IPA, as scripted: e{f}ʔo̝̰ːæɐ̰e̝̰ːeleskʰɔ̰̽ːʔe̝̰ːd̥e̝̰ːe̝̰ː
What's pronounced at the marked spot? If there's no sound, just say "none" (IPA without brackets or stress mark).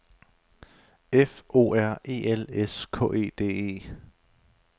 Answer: f